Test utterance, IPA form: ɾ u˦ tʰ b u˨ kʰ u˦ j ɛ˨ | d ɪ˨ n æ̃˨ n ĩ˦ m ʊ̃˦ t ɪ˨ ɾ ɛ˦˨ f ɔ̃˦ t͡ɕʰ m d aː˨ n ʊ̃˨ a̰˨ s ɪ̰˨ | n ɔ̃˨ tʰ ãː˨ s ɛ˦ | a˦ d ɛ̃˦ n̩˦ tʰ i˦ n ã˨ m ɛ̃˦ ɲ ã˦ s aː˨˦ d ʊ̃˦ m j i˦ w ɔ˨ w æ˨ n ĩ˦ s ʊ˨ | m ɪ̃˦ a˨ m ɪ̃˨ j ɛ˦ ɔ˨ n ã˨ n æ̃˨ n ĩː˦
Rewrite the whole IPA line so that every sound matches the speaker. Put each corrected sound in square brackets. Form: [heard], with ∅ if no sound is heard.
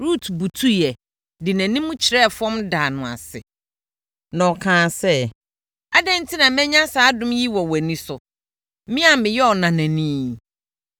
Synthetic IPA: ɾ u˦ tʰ b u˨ [tʰ] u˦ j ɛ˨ | d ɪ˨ n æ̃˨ n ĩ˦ m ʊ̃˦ [t͡ɕʰ] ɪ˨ ɾ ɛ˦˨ f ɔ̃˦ [∅] m d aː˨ n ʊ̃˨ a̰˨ s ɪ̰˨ | n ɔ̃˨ [kʰ] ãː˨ s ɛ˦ | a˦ d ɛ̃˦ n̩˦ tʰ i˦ n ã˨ m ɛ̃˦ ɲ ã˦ s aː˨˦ d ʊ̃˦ m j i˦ w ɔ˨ w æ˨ n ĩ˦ s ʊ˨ | m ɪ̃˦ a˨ m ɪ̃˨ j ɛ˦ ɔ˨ n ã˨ n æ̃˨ n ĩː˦